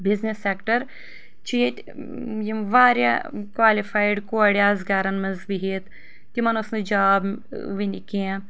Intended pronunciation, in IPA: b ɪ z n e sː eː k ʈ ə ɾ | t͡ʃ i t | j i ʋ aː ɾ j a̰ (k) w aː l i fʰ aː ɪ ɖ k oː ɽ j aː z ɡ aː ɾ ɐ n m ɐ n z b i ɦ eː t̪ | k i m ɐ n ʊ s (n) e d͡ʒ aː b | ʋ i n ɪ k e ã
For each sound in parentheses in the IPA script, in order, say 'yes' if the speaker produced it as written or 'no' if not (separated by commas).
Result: yes, yes